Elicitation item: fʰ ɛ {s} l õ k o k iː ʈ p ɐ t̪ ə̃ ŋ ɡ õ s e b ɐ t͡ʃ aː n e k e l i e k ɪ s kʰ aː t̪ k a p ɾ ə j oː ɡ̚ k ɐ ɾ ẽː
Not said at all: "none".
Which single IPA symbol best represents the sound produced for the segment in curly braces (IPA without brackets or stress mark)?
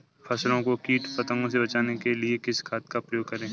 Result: s